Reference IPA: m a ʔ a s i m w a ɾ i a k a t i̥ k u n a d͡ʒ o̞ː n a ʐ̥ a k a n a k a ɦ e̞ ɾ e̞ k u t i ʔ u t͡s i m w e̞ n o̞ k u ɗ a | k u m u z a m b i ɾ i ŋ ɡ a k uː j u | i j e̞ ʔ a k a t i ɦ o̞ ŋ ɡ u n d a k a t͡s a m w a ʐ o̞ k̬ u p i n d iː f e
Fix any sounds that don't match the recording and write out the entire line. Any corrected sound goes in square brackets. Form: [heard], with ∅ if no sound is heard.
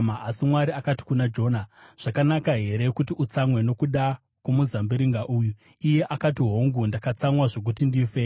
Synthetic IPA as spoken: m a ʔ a s i m w a ɾ i a k a t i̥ k u n a d͡ʒ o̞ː n a ʐ̥ a k a n a k a ɦ e̞ ɾ e̞ k u t i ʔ u t͡s [a] m w e̞ n o̞ k u ɗ a | k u m u z a m b i ɾ i ŋ ɡ a [ʔ] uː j u | i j e̞ ʔ a k a t i ɦ o̞ ŋ ɡ u n d a k a t͡s a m w a ʐ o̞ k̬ u [t] i n d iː f e